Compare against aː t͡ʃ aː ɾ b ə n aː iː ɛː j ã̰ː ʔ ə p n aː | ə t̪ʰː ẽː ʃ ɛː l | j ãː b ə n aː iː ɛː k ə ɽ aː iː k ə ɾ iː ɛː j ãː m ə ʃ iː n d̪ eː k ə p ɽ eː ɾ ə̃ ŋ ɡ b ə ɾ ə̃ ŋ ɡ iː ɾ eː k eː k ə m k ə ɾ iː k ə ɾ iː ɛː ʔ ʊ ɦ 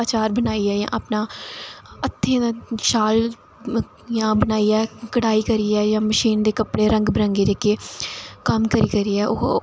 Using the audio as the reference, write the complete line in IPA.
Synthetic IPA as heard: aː t͡ʃ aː ɾ b ə n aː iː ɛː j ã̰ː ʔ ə p n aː | ə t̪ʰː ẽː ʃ aː l | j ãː b ə n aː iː ɛː k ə ɽ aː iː k ə ɾ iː ɛː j ãː m ə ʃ iː n d̪ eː k ə p ɽ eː ɾ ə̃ ŋ ɡ b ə ɾ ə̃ ŋ ɡ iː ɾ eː k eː k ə m k ə ɾ iː k ə ɾ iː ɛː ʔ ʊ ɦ